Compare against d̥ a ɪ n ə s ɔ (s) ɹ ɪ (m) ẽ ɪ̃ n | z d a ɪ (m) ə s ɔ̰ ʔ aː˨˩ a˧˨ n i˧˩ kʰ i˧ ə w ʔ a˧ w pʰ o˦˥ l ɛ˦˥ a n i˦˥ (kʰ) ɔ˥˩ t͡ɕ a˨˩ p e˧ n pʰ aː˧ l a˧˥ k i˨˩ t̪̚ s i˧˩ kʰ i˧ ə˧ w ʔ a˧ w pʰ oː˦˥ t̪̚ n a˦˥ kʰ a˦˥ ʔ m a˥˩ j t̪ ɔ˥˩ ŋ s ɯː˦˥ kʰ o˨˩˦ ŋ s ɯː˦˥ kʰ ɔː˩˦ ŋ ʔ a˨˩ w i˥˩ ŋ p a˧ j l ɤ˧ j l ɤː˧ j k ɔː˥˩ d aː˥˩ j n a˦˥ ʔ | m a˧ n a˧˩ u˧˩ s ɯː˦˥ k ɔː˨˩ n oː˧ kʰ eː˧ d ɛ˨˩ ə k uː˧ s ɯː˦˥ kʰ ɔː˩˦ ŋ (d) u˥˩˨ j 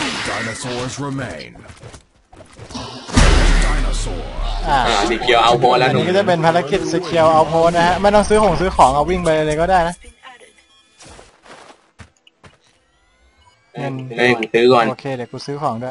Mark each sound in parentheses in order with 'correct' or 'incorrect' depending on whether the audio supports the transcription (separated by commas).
incorrect, correct, incorrect, incorrect, correct